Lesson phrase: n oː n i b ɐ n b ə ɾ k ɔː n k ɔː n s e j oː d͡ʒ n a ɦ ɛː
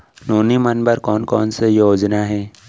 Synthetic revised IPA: n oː n i m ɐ n b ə ɾ k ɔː n k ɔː n s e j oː d͡ʒ n a ɦ ɛː